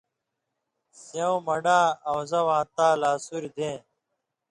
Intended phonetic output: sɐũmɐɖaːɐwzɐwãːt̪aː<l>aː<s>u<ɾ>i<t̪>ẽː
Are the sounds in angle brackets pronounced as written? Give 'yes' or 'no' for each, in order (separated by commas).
yes, yes, yes, no